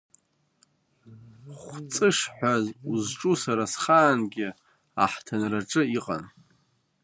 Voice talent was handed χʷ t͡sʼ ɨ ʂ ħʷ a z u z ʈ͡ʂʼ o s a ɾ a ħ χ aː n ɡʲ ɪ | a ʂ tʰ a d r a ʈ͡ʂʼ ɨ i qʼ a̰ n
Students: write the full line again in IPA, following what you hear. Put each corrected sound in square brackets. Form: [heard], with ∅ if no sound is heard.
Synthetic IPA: χʷ t͡sʼ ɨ ʂ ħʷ a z u z ʈ͡ʂʼ [u] s a ɾ a [s] χ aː n ɡʲ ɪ | a [ħ] tʰ a [n] r a ʈ͡ʂʼ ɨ i qʼ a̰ n